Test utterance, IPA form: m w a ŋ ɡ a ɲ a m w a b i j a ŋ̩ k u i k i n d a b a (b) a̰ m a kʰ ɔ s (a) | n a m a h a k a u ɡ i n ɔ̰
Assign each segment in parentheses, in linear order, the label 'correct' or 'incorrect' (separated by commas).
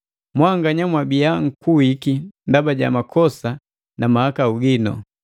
incorrect, correct